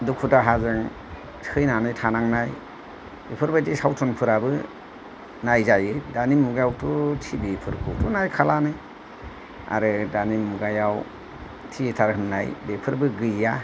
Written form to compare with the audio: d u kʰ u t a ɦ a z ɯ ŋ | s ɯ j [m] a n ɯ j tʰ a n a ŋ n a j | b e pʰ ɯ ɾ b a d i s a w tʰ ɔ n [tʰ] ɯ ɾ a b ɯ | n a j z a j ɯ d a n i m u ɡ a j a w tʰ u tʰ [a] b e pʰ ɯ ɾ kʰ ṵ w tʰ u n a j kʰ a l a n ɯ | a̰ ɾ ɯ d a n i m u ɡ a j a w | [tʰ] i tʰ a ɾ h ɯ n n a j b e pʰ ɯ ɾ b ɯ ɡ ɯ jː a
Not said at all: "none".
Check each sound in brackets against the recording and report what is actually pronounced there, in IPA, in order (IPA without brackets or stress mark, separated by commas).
n, pʰ, i, tʰ